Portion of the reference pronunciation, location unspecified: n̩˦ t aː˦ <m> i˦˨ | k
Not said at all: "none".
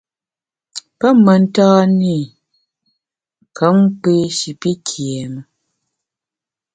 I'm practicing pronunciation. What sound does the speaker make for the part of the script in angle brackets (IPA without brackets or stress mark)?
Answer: n